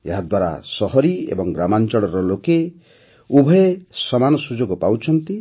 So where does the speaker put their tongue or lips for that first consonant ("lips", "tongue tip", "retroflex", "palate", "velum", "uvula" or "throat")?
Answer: throat